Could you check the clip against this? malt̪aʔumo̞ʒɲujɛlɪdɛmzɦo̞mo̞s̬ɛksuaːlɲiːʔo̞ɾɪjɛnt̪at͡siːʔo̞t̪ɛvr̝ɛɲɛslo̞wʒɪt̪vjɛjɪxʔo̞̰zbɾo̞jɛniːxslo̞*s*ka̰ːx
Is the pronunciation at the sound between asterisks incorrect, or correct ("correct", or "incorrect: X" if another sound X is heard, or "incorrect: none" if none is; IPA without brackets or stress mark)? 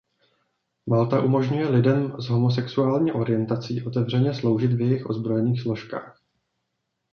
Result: incorrect: ʃ